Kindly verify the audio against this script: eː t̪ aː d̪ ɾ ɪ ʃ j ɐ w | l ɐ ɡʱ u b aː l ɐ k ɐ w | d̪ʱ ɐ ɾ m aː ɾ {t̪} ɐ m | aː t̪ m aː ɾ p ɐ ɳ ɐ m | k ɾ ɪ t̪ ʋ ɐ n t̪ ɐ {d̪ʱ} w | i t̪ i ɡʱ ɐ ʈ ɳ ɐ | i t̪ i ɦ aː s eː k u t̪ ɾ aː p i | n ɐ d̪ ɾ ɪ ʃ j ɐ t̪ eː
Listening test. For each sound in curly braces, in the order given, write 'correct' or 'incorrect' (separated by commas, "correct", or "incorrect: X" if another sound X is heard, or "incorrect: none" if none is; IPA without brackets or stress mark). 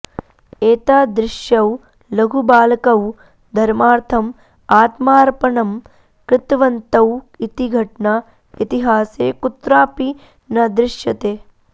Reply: incorrect: t̪ʰ, incorrect: none